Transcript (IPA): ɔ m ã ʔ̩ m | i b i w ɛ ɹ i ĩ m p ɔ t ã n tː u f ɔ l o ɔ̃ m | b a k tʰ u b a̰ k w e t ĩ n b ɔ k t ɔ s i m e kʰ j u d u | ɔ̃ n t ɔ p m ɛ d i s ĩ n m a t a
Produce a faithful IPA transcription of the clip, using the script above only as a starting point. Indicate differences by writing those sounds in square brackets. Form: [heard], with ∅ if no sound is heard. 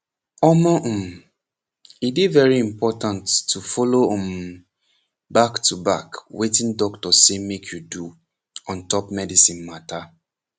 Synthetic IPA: ɔ m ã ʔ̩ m | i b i [v] ɛ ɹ i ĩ m p ɔ t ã n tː u f ɔ l o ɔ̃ m | b a k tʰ u b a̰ k w e t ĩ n [d] ɔ k t ɔ s [e] m e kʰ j u d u | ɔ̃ n t ɔ p m ɛ d i s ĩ n m a t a